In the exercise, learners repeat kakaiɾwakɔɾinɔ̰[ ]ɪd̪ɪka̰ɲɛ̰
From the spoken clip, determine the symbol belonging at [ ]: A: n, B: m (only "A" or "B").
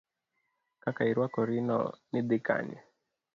A